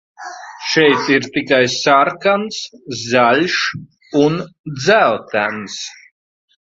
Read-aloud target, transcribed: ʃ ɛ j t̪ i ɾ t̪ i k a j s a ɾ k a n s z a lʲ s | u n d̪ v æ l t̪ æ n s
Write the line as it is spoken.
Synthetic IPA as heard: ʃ ɛ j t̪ i ɾ t̪ i k a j s a ɾ k a n s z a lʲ ʃ | u n d̪ z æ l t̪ æ n s